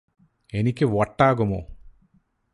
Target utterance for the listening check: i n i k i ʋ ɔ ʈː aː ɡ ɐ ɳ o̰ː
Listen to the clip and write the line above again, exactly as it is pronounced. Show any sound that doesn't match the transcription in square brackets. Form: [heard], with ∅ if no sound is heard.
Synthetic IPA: [e] n i k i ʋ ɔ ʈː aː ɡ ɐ [m] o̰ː